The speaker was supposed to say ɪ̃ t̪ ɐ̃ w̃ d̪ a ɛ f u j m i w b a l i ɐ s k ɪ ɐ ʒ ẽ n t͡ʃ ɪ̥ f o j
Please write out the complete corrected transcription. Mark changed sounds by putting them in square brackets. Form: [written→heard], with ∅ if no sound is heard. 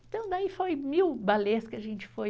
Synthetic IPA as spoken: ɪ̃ t̪ ɐ̃ w̃ d̪ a [ɛ→i] f [u→o] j m i w b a l [i→e] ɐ s k ɪ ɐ ʒ ẽ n t͡ʃ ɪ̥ f o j